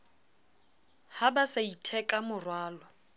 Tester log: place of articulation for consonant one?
glottal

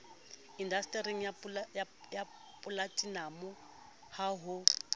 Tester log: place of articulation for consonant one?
alveolar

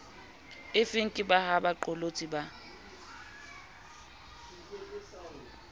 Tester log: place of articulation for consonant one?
labial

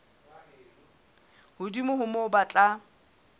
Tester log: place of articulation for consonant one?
glottal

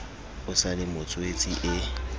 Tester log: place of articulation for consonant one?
alveolar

